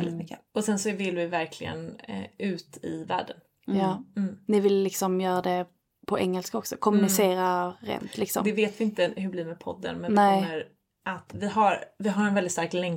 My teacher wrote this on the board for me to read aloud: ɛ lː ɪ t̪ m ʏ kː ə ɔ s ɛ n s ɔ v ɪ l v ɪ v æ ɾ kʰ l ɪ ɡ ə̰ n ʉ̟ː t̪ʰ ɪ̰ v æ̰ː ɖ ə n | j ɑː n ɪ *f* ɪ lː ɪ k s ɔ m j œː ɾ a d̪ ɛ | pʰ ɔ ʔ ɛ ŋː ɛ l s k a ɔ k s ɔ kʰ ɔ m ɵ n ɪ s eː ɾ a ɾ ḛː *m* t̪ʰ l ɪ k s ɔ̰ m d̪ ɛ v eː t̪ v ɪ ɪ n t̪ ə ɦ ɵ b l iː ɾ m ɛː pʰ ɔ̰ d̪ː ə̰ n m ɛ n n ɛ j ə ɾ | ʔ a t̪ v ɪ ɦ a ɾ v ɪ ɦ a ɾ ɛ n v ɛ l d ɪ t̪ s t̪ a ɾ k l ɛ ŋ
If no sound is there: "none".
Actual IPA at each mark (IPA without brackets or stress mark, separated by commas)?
v, n